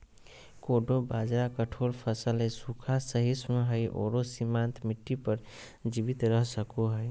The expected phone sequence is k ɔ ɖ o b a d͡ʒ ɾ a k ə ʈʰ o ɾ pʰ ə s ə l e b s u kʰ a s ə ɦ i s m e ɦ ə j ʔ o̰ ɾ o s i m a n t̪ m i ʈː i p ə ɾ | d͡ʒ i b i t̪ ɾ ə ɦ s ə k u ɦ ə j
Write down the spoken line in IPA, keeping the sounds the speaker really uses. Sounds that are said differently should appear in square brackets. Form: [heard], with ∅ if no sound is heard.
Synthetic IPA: k [o] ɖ o b a d͡ʒ ɾ a k ə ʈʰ o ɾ pʰ ə s ə l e [∅] s u kʰ a s ə ɦ i s m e ɦ ə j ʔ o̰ ɾ o s i m a n t̪ m i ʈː i p ə ɾ | d͡ʒ i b i t̪ ɾ ə ɦ s ə k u ɦ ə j